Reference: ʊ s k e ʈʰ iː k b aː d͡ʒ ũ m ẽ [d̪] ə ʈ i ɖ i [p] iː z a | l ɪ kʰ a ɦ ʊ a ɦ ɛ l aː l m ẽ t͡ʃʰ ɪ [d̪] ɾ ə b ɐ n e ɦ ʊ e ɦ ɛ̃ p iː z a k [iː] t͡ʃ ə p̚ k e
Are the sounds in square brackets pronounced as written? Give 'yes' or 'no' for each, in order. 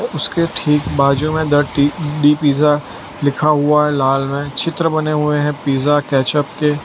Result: yes, yes, no, no

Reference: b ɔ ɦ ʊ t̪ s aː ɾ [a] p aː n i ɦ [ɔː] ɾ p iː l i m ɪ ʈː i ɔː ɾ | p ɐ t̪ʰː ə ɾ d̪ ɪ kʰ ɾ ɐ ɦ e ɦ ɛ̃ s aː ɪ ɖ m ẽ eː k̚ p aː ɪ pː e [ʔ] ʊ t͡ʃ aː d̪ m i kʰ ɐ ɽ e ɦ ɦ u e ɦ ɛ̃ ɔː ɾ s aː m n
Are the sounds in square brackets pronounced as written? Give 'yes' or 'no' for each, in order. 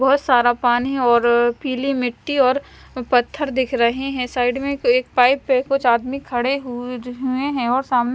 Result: yes, yes, no

